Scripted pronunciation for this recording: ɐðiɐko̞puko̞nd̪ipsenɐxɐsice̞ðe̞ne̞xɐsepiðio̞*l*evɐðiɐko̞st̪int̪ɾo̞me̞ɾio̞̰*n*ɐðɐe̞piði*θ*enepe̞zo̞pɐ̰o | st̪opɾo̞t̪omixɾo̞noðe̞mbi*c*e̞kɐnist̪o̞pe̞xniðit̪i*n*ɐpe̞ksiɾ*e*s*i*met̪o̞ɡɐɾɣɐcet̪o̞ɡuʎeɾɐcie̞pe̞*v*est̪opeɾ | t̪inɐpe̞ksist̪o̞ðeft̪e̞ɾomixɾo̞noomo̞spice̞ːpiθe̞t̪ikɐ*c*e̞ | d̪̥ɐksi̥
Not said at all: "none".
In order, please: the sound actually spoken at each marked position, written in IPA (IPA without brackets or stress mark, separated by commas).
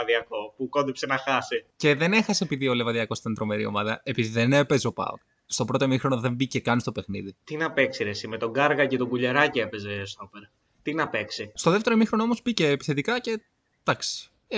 l, m, ð, c, n, e, i, z, c